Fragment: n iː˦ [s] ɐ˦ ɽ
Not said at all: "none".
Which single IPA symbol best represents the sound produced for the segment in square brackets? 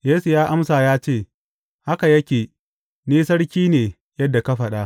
s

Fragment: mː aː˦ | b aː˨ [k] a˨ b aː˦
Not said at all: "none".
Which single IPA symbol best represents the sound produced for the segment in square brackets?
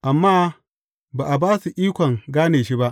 ʔ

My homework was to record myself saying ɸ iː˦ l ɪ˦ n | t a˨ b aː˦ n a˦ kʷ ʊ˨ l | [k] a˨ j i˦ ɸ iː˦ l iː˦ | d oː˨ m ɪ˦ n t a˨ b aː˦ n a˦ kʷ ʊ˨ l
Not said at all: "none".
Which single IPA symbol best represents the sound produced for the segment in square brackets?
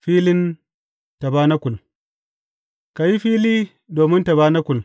k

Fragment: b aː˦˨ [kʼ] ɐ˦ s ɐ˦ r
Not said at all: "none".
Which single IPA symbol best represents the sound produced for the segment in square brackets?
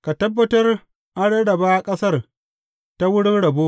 kʼ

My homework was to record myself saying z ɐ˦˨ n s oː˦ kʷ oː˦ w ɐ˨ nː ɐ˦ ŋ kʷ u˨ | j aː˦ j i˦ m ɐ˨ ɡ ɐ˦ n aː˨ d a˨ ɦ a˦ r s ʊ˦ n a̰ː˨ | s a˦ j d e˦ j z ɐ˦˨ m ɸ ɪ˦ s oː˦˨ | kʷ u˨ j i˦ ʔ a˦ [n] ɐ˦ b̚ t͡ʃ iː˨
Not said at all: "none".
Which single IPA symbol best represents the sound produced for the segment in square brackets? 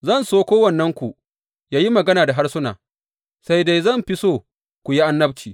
nː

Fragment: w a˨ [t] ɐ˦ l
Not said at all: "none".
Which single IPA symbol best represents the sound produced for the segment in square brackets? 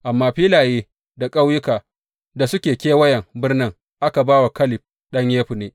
k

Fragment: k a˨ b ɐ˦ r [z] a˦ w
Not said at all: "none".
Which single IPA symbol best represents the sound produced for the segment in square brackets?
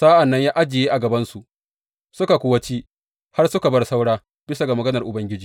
s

